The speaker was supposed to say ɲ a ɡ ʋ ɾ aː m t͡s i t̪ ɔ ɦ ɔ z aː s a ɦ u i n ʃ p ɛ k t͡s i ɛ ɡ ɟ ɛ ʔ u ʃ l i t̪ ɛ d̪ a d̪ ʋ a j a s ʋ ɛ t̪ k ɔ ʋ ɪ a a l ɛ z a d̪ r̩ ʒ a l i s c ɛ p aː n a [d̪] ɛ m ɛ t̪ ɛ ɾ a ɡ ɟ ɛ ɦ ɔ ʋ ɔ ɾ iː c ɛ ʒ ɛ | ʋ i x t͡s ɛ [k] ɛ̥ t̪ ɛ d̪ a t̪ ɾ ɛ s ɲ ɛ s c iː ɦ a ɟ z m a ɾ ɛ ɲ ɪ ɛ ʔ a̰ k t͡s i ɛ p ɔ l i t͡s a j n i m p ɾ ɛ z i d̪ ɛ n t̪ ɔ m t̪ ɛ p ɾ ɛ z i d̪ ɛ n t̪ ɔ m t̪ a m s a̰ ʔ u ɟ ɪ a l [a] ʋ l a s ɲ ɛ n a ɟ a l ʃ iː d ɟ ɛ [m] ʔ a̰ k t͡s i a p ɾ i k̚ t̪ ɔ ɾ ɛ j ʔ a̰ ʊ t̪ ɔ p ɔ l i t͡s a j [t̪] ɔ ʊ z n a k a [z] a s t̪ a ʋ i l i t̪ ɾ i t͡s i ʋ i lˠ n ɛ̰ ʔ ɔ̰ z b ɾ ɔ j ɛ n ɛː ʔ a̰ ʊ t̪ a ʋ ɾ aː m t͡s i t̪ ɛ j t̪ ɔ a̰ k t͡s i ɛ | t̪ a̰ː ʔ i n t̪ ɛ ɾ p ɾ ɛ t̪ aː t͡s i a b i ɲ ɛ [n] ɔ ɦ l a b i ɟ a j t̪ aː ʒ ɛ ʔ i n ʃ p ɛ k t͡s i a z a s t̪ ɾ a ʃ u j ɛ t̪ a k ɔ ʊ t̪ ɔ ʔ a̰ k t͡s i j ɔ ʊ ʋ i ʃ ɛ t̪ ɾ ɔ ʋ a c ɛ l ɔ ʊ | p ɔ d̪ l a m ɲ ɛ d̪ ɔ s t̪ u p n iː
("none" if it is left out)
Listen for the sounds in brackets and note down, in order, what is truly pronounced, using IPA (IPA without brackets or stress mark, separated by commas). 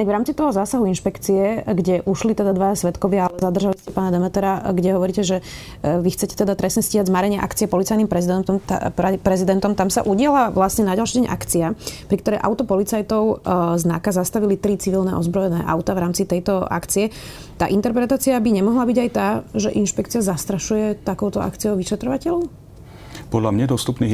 d̪, c, a, ɲ, t̪, z, m